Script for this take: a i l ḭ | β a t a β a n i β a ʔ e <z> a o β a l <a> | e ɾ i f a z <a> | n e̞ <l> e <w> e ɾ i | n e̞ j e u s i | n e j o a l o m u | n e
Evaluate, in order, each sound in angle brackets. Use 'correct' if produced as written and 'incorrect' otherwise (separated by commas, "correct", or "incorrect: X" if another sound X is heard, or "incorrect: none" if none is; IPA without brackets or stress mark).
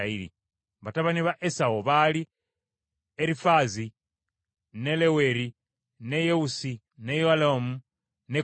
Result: incorrect: s, incorrect: i, incorrect: i, correct, correct